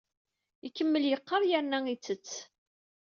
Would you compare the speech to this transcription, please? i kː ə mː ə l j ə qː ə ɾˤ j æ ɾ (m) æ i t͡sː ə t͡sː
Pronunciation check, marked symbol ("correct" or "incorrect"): incorrect